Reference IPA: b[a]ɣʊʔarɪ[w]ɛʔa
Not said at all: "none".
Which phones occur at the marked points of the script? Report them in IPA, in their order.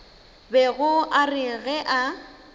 ɛ, ɣ

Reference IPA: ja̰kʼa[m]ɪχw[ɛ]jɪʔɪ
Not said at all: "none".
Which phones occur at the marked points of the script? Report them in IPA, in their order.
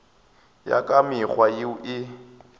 m, a

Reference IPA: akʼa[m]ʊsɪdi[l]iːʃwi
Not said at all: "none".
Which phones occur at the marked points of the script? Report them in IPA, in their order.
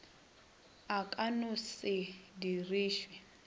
n, r

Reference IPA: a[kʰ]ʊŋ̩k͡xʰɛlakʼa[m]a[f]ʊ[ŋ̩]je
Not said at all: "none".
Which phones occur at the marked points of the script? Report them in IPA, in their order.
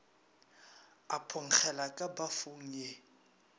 pʰ, b, f, ŋ̩

